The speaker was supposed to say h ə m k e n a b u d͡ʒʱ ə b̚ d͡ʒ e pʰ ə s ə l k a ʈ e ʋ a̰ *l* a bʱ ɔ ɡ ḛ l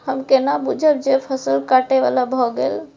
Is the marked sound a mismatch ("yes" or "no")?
no